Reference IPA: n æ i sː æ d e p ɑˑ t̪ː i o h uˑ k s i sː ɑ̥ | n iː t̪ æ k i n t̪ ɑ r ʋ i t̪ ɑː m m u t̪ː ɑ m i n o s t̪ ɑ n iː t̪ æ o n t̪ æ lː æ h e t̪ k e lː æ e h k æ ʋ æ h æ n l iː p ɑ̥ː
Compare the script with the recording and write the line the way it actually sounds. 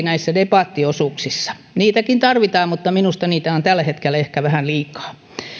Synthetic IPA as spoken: n æ i sː æ d e p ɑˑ t̪ː i o s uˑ k s i sː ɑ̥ | n iː t̪ æ k i n t̪ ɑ r ʋ i t̪ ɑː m m u t̪ː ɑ m i n u s t̪ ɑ n iː t̪ æ o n t̪ æ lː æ h e t̪ k e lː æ e h k æ ʋ æ h æ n l iː k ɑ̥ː